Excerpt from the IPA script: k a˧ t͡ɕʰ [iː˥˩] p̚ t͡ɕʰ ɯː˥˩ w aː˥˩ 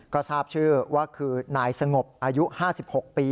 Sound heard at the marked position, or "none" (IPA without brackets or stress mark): aː˥˩